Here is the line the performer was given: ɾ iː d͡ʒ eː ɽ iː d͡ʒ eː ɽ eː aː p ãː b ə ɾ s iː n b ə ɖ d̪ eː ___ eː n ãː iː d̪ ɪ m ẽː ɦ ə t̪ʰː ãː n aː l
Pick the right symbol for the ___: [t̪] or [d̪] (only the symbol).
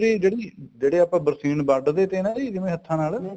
t̪